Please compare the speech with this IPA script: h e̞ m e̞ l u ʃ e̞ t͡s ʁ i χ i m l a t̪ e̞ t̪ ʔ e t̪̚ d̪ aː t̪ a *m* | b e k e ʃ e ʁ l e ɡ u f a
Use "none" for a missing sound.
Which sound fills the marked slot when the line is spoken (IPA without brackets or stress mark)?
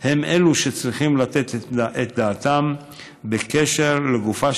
m